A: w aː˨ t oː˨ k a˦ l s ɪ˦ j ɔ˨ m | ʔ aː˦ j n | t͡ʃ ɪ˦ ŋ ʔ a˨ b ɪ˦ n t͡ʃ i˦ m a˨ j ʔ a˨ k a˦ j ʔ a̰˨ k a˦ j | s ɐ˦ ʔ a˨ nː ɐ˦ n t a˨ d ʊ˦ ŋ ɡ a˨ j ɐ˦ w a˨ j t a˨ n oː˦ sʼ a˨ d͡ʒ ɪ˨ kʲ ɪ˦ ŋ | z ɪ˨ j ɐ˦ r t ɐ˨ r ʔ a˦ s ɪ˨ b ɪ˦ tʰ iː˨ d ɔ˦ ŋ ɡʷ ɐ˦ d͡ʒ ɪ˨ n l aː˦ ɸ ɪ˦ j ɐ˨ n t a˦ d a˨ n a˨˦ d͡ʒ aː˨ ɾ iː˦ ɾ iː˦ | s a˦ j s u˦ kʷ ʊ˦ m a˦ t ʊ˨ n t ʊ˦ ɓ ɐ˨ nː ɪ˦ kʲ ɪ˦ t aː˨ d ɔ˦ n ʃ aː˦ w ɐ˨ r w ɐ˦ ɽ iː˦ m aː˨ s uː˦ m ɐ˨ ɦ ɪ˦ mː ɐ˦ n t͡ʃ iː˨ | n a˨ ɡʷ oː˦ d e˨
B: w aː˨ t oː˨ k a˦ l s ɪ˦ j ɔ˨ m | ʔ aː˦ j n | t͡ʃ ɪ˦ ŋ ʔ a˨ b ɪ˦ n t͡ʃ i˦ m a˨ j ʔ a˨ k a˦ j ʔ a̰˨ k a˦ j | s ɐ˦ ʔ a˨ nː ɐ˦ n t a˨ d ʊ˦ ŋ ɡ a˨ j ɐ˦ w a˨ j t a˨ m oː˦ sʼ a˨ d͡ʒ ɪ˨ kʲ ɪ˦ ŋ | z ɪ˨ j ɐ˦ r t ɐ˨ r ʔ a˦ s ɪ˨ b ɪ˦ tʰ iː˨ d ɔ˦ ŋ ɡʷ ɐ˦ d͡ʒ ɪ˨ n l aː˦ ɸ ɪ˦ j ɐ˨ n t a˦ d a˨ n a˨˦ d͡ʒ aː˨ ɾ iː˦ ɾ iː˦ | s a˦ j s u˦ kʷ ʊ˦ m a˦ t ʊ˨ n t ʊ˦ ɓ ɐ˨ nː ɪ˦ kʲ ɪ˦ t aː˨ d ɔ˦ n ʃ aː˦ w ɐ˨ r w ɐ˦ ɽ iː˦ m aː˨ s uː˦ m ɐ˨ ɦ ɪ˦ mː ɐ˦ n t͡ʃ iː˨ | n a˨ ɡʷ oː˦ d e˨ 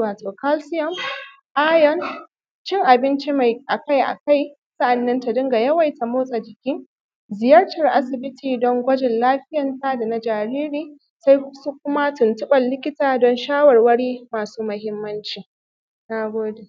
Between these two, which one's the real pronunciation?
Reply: B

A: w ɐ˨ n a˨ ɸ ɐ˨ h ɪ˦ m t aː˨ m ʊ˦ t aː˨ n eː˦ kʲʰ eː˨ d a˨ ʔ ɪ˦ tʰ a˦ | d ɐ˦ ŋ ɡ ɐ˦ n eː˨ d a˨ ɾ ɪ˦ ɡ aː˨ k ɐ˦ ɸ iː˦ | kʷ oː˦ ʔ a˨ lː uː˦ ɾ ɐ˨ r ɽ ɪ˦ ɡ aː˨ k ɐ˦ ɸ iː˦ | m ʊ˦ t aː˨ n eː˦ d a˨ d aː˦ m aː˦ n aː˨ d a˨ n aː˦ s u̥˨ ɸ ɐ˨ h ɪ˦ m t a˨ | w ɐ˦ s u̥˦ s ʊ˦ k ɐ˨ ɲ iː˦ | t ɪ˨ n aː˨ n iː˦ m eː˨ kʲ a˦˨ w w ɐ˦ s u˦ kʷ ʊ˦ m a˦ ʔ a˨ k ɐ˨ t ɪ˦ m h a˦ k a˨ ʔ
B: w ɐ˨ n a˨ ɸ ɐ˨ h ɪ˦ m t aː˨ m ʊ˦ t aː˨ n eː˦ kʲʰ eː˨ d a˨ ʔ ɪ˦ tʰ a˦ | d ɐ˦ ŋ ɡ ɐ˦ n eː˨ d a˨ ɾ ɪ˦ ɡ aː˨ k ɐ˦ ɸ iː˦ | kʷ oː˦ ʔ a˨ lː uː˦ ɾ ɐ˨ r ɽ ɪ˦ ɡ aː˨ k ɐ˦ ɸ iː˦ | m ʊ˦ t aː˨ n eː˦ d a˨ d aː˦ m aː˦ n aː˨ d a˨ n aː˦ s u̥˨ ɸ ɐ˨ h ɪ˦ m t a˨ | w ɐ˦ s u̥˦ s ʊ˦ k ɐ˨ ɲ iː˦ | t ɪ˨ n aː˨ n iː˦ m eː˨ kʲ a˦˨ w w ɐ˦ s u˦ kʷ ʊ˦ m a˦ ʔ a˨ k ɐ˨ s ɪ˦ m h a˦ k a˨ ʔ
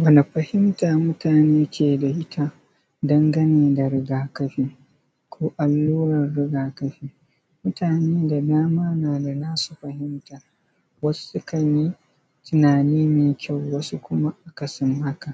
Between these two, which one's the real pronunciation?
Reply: B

